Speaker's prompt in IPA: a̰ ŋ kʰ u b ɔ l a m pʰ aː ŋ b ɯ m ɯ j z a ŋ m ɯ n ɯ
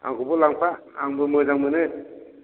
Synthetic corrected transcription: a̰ ŋ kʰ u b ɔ l a ŋ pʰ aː ŋ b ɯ m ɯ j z a ŋ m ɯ n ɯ